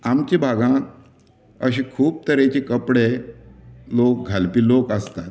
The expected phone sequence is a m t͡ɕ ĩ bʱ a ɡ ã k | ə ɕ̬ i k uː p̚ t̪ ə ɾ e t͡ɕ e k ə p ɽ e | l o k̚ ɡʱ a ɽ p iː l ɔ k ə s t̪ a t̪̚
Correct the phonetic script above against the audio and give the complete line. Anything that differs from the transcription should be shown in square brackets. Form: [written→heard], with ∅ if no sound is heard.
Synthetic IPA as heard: a m t͡ɕ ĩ bʱ a ɡ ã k | ə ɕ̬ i [k→kʰ] uː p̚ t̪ ə ɾ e t͡ɕ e k ə p ɽ e | l o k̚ ɡʱ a [ɽ→l] p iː l [ɔ→o] k ə s t̪ a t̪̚